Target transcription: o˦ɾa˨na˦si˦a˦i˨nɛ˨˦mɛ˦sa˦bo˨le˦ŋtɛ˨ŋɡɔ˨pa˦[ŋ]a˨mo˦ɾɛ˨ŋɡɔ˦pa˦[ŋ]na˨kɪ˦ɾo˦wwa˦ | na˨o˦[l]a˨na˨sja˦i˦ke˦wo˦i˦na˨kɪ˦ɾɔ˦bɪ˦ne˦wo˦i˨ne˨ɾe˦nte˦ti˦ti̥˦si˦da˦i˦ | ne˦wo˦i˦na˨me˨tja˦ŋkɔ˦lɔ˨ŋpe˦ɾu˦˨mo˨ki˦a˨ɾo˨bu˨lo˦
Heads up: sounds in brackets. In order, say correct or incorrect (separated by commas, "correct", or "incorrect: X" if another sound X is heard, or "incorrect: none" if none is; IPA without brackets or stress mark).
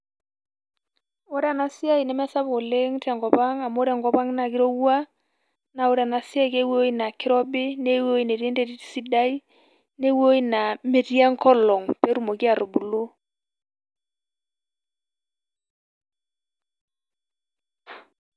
correct, correct, incorrect: ɾ